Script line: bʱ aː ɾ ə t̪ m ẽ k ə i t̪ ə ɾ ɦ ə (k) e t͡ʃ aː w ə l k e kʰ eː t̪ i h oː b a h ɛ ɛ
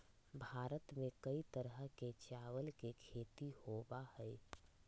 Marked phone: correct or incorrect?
correct